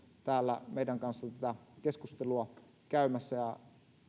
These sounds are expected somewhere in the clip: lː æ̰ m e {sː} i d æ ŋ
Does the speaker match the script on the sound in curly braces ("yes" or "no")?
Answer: no